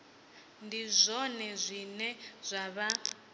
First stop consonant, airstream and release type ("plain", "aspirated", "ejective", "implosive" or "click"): plain